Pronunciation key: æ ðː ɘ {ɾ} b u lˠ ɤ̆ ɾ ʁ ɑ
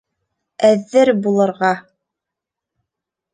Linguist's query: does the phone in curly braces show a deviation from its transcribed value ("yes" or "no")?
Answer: no